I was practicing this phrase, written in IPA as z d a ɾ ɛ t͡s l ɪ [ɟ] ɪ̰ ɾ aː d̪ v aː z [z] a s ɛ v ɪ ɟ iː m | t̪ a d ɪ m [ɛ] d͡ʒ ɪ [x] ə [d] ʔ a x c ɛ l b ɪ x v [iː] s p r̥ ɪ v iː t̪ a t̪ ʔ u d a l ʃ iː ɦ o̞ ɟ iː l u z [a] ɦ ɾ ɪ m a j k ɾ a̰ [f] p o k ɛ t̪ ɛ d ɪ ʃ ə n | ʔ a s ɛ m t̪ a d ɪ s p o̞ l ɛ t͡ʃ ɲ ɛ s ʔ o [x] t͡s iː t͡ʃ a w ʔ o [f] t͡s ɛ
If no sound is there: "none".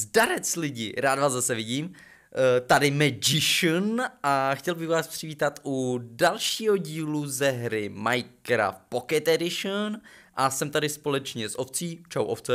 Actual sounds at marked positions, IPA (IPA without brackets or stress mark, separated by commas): ɟ, z, ɛ, ʃ, n, aː, ɛ, f, f, f